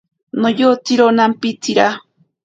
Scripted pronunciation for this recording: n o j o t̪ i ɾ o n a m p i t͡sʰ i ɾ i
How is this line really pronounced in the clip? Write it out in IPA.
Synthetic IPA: n o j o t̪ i ɾ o n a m p i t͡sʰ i ɾ a